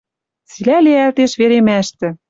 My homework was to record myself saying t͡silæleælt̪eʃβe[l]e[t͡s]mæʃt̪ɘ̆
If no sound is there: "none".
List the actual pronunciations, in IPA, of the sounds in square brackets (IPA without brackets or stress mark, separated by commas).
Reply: ɾ, none